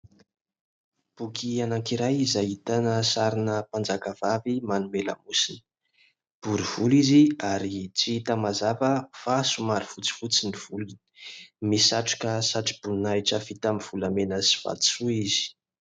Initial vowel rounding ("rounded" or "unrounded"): rounded